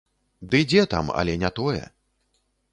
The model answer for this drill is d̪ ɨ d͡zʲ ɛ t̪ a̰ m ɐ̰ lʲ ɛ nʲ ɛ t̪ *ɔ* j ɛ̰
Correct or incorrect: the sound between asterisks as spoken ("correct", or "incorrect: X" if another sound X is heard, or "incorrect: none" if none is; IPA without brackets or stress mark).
correct